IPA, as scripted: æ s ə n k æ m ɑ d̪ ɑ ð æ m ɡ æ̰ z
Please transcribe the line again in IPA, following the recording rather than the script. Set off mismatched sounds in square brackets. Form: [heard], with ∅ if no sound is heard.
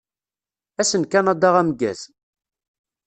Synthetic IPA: æ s ə n k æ [n] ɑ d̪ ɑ [ʁ] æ m ɡ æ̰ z

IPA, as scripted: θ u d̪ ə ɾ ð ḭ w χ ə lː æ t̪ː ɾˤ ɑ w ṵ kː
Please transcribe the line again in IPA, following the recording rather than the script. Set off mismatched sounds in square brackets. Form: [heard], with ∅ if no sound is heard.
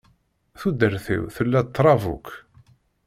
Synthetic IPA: θ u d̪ ə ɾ [θ] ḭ w [θ] ə lː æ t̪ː ɾˤ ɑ [v] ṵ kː

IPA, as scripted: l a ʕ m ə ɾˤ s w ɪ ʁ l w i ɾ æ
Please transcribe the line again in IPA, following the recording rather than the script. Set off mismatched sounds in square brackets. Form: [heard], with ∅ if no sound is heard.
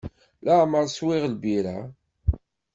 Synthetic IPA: l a ʕ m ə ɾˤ s w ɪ ʁ l [b] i ɾ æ

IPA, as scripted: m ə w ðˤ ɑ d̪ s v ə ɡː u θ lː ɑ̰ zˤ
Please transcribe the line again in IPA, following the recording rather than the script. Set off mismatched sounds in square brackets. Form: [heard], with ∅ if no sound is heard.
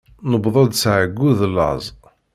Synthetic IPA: [n] ə [b] ðˤ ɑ d̪ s [ʕ] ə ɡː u [ð] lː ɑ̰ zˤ

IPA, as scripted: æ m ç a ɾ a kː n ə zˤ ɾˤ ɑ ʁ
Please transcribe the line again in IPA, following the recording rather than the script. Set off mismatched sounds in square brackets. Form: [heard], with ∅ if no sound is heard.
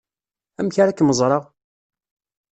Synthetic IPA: æ m ç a ɾ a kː [m] ə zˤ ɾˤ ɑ ʁ

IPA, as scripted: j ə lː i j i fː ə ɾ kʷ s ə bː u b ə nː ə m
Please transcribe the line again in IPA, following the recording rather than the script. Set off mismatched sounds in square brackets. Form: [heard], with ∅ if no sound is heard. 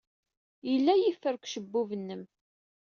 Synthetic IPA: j ə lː [æ] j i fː ə ɾ kʷ [ʃ] ə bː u [v] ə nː ə m

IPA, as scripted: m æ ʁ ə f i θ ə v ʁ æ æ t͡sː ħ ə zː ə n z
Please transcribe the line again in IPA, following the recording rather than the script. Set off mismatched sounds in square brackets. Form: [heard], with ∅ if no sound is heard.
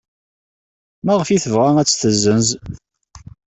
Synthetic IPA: m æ ʁ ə f i θ ə v ʁ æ æ t͡sː [θ] ə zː ə n z

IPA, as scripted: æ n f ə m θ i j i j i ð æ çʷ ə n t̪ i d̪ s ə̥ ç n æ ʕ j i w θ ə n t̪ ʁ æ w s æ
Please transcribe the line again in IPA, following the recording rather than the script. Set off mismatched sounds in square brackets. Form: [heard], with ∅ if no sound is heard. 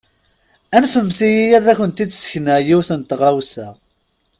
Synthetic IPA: æ n f ə m θ i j i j [æ] ð æ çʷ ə n t̪ i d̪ s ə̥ ç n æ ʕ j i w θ ə n t̪ ʁ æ w s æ

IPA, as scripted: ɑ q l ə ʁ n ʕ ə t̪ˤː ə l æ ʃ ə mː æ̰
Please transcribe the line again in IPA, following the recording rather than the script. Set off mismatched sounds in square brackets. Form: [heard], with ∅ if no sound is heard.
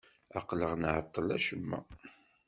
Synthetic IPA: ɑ q l ə ʁ n ʕ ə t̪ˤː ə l æ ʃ ə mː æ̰

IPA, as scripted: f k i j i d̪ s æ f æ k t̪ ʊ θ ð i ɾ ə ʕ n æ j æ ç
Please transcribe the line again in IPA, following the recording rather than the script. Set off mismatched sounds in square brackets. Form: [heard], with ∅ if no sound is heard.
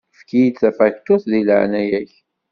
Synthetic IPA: f k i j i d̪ [θ] æ f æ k t̪ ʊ θ ð i [l] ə ʕ n æ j æ ç

